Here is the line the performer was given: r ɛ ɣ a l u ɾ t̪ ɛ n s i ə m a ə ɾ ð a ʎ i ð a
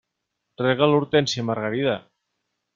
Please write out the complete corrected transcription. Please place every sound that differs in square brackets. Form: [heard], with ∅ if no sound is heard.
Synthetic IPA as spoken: r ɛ ɣ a l u ɾ t̪ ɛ n s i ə m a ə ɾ [ɣ] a [ɾ] i ð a